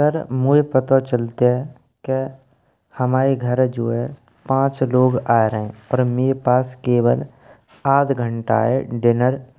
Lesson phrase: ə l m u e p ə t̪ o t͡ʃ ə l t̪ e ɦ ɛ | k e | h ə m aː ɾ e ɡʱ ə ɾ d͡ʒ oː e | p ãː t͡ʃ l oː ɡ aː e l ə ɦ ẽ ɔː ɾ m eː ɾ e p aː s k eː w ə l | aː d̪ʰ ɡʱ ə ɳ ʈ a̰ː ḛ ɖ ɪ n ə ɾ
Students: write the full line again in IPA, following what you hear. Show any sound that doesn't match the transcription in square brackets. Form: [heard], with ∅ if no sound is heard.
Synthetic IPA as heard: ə [ɾ] m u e p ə t̪ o t͡ʃ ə l t̪ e ɦ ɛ | k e | h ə m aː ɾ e ɡʱ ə ɾ d͡ʒ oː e | p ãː t͡ʃ l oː ɡ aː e [ɾ] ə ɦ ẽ ɔː ɾ m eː ɾ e p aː s k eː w ə l | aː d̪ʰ ɡʱ ə ɳ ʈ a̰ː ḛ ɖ ɪ n ə ɾ